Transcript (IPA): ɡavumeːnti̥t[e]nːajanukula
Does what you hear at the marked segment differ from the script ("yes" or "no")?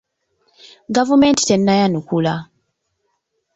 no